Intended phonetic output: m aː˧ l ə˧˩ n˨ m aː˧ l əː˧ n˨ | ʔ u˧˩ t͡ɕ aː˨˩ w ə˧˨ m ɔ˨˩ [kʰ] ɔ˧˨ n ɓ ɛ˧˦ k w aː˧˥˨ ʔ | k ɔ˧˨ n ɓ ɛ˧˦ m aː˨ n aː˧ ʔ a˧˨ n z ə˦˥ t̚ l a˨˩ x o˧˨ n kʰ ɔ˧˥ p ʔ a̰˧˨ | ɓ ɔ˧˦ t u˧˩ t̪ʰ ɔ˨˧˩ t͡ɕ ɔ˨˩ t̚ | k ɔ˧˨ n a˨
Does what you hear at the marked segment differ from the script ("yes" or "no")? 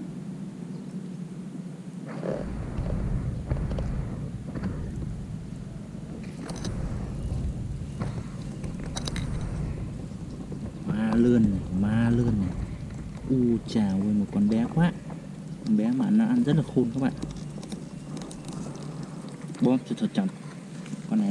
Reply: yes